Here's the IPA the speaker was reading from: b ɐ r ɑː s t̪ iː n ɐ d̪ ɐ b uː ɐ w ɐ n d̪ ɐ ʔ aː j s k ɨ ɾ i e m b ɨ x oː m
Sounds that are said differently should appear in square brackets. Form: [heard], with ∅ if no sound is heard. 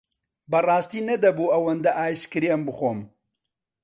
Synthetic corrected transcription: b ɐ r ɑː s t̪ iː n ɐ d̪ ɐ b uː ɐ w ɐ n d̪ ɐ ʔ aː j s k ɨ ɾ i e m b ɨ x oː m

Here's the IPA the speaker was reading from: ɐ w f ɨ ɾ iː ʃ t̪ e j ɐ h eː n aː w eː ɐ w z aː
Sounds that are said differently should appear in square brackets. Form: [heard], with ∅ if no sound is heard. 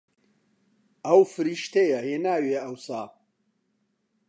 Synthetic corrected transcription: ɐ w f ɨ ɾ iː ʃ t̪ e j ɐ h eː n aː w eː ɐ w [s] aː

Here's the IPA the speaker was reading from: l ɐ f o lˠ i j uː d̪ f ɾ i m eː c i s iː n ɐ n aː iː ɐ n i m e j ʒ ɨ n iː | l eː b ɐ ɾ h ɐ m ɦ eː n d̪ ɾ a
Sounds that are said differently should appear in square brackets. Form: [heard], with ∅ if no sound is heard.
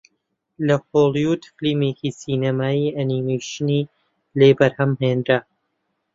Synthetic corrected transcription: l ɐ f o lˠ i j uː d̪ f [l] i m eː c i s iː n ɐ [m] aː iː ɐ n i m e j [ʃ] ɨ n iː | l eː b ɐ ɾ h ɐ m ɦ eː n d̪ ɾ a

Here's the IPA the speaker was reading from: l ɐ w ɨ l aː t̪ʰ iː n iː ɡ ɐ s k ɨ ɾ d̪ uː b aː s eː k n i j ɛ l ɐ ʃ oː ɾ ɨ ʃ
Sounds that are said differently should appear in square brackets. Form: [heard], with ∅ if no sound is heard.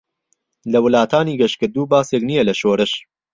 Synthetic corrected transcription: l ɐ w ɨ l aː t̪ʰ [aː] n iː ɡ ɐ [ʃ] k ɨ ɾ d̪ uː b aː s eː k n i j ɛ l ɐ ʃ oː ɾ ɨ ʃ

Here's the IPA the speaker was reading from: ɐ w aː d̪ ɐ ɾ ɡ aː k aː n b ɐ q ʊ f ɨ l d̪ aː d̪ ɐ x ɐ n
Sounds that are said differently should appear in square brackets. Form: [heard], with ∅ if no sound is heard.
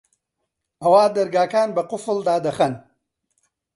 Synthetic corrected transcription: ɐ w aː d̪ ɐ ɾ ɡ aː k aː n b ɐ q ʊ f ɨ l d̪ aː d̪ ɐ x ɐ n

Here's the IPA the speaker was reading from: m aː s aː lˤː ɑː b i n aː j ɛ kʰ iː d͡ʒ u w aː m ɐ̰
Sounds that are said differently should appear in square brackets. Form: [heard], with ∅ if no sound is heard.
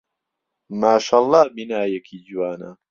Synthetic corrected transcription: m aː [ʃ] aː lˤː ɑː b i n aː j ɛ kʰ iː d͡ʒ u w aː [n] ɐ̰

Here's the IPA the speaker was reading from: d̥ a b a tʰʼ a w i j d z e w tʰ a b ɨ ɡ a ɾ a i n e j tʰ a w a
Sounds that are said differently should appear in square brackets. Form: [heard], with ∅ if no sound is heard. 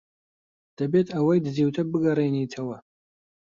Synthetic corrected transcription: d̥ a b [e] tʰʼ a w [a] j d z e w tʰ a b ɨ ɡ a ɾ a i n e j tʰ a w a

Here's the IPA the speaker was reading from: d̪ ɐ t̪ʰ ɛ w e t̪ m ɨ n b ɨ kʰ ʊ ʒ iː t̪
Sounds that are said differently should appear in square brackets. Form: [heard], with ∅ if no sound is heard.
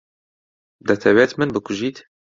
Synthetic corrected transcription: d̪ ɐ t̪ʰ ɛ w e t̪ m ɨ n b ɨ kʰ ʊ ʒ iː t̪

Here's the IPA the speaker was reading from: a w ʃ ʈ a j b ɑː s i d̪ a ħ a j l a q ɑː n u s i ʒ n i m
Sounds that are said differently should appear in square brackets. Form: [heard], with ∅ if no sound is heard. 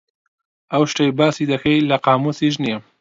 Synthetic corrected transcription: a w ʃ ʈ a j b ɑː s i d̪ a [x] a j l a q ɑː [m] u s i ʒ n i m

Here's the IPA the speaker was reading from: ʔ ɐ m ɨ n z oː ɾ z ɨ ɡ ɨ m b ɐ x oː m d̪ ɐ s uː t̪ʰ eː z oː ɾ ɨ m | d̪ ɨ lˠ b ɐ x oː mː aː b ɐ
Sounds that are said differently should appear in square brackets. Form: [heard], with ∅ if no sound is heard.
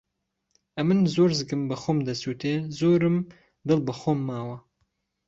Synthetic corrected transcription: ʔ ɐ m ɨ n z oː ɾ z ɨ ɡ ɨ m b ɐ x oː m d̪ ɐ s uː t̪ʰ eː z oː ɾ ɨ m | d̪ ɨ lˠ b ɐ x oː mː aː [w] ɐ

